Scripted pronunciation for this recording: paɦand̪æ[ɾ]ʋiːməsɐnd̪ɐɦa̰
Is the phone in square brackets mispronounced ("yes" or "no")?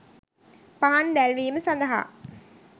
yes